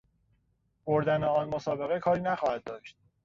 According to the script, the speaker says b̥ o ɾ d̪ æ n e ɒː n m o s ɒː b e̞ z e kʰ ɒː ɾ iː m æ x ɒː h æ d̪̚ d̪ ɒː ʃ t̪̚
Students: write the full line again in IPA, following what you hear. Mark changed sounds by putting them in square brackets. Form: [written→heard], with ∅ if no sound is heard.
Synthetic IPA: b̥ o ɾ d̪ æ n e ɒː n m o s ɒː b e̞ [z→ɣ] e kʰ ɒː ɾ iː [m→n] æ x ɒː h æ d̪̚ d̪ ɒː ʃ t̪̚